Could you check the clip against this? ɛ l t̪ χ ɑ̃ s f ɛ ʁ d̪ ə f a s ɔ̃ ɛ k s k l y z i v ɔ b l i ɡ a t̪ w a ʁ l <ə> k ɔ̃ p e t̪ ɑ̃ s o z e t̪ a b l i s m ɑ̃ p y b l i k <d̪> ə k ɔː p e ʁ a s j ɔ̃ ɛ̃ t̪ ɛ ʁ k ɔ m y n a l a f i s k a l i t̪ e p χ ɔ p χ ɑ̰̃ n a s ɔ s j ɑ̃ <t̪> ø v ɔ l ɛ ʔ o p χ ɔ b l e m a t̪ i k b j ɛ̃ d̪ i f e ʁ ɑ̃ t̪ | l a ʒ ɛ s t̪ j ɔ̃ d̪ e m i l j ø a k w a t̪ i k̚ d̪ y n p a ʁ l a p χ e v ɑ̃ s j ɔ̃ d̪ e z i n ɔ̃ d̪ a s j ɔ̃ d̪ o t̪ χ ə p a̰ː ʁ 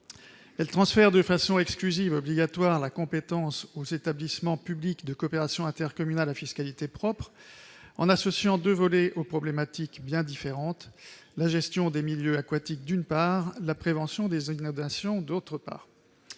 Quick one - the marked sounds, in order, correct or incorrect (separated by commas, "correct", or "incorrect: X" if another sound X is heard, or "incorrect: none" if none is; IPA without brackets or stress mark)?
incorrect: a, correct, incorrect: d̪